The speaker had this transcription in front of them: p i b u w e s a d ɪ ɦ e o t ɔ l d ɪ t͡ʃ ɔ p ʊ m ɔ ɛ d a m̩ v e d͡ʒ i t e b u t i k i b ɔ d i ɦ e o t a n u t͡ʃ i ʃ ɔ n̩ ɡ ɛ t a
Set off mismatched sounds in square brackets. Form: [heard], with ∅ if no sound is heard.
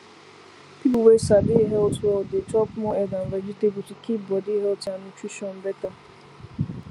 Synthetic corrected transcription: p i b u w e s a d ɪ ɦ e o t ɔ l d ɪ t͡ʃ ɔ p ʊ m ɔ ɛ d a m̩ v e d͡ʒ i t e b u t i k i b ɔ d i ɦ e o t a n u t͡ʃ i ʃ ɔ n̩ [b] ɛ t a

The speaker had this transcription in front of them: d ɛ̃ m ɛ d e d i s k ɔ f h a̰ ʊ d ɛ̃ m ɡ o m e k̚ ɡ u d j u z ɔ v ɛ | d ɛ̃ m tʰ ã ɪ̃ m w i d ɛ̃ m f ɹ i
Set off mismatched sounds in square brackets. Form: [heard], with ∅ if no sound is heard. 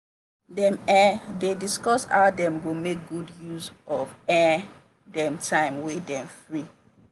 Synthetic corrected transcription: d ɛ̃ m ɛ d e d i s k ɔ [s] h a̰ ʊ d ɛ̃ m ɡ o m e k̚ ɡ u d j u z ɔ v ɛ | d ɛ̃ m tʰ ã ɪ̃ m w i d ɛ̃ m f ɹ i

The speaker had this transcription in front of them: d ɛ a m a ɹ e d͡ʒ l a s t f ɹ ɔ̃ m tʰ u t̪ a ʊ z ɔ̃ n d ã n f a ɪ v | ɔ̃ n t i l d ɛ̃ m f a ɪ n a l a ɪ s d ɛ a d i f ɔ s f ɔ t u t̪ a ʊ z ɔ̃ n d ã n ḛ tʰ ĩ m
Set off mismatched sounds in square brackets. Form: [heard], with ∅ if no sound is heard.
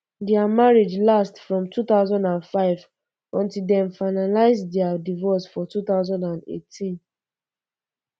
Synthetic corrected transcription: d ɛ a m a ɹ e d͡ʒ l a s t f ɹ ɔ̃ m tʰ u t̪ a ʊ z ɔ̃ n d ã n f a ɪ v | ɔ̃ n t i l d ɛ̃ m f a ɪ n a l a ɪ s d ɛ a d i [v] ɔ s f ɔ t u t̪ a ʊ z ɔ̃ n d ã n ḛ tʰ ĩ [n]

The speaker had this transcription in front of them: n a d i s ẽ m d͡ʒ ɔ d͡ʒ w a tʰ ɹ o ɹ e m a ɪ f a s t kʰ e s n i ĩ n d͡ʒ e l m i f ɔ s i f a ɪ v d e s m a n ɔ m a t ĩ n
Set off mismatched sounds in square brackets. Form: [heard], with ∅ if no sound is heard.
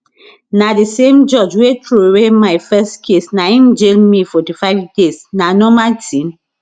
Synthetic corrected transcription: n a d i s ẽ m d͡ʒ ɔ d͡ʒ w [e] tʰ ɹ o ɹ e m a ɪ f [ɛ] s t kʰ e s n [a] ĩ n d͡ʒ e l m i f ɔ [t] i f a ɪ v d e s [n] a n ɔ m a t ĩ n

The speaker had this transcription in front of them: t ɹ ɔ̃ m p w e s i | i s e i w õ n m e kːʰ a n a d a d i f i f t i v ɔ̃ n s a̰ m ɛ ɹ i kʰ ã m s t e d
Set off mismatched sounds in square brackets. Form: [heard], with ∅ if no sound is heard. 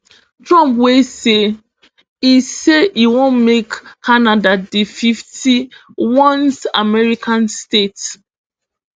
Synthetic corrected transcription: t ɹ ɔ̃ m p w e s [e] | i s e i w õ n m e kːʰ a n a d a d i f i f t i [w] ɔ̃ n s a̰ m ɛ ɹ i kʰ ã [n] s t e [t]

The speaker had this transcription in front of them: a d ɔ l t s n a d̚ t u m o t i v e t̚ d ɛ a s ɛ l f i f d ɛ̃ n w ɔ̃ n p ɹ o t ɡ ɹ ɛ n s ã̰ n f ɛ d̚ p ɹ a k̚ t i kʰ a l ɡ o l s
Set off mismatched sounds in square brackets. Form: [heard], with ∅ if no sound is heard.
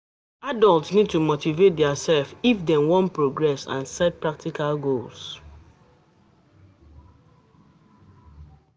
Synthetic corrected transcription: a d ɔ l t s n [i] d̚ t u m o t i v e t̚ d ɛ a s ɛ l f i f d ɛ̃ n w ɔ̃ n p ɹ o [∅] ɡ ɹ ɛ [∅] s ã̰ n [s] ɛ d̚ p ɹ a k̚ t i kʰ a l ɡ o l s

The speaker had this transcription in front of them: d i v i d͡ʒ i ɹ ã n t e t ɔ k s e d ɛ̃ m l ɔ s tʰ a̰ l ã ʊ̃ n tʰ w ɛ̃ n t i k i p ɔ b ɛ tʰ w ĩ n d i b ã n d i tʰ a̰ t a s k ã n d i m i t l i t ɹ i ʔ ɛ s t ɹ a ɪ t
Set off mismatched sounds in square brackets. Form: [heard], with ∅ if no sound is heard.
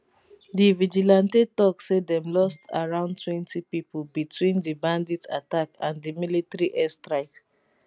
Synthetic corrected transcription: d i v i d͡ʒ i [l] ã n t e t ɔ k s e d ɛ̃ m l ɔ s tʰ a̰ [ɹ] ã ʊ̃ n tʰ w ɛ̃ n t i [p] i p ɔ b [i] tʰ w ĩ n d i b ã n d i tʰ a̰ t a [∅] k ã n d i m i [∅] l i t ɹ i ʔ ɛ s t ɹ a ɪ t

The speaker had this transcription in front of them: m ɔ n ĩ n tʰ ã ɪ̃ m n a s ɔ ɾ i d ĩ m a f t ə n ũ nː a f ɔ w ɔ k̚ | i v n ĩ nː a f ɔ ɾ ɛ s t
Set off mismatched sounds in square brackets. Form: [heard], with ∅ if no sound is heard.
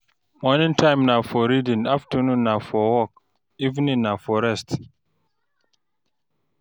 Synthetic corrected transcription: m ɔ n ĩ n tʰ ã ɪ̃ m n a [f] ɔ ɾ i d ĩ [n] a f t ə n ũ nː a f ɔ w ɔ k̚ | i v n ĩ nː a f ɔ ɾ ɛ s t

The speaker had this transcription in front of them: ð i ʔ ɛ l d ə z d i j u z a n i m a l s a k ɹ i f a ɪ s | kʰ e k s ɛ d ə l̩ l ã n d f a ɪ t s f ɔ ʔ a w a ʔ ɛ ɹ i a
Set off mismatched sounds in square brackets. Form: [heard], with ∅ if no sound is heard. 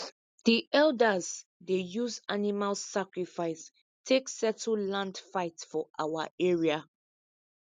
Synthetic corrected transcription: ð i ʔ ɛ l d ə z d [e] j u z a n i m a l s a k ɹ i f a ɪ s | [tʰ] e k s ɛ [t] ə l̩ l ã n d f a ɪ t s f ɔ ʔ a w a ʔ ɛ ɹ i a

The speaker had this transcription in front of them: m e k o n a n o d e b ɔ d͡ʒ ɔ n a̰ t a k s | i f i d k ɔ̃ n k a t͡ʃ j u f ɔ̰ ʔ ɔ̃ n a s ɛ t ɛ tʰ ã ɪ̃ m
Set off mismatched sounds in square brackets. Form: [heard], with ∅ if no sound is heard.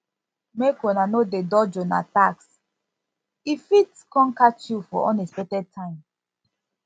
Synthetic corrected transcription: m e k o n a n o d e [d] ɔ d͡ʒ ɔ n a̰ t a k s | i f i [t] k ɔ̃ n k a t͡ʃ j u f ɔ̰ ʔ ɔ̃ n [e] s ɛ t ɛ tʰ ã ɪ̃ m

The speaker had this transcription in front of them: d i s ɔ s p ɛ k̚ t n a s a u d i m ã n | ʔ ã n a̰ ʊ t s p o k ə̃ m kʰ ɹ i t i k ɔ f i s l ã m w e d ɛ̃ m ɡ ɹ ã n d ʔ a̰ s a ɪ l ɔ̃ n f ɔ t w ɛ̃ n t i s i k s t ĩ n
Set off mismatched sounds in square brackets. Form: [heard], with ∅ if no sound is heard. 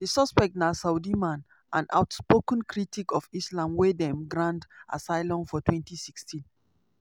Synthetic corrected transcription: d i s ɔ s p ɛ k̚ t n a s a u d i m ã n | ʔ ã n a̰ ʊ t s p o k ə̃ [n] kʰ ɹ i t i k ɔ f i s l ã m w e d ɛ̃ m ɡ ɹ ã n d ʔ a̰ s a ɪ l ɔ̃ n f ɔ t w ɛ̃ n t i s i k s t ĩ n

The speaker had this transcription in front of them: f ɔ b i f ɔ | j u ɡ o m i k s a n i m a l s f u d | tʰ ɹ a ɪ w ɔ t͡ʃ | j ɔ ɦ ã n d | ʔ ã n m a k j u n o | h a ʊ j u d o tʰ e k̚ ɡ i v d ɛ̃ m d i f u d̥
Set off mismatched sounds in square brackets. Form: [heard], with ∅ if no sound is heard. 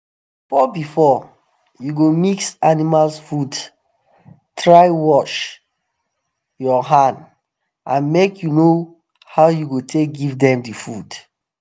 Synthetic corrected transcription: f ɔ b i f ɔ | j u ɡ o m i k s a n i m a l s f u d | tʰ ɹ a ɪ w ɔ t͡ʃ | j ɔ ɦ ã n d | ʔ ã n m [e] k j u n o | h a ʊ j u [ɡ] o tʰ e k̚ ɡ i v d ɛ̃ m d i f u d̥

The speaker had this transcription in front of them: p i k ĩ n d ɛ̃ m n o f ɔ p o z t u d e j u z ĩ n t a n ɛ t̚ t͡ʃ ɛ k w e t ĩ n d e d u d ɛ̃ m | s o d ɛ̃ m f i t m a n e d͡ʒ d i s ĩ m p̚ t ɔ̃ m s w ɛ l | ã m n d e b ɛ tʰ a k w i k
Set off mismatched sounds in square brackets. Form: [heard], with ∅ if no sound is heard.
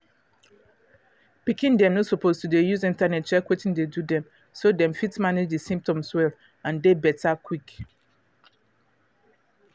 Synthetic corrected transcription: p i k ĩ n d ɛ̃ m n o [s] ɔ p o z t u d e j u z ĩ n t a n ɛ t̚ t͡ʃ ɛ k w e t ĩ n d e d u d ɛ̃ m | s o d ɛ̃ m f i t m a n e d͡ʒ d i s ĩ m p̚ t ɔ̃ m s w ɛ l | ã [∅] n d e b ɛ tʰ a k w i k

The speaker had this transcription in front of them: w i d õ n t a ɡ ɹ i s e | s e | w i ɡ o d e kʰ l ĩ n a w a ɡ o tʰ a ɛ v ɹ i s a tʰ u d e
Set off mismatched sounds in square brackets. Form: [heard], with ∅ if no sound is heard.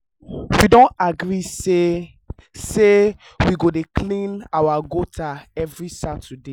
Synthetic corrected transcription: w i d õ n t a ɡ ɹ i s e | s e | w i ɡ o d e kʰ l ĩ n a w a ɡ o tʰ a ɛ v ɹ i s a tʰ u d e

